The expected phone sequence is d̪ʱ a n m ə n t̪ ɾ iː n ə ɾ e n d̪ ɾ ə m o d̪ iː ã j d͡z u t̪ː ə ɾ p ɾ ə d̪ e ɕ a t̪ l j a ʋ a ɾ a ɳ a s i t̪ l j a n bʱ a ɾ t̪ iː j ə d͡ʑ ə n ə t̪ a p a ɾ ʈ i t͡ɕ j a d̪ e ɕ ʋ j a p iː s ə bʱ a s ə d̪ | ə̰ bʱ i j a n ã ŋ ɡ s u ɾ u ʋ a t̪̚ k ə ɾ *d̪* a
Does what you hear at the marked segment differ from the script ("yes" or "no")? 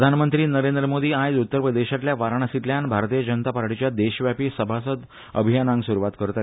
yes